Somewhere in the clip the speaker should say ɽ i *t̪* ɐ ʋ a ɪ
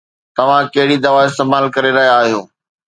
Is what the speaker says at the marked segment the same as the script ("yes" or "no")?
no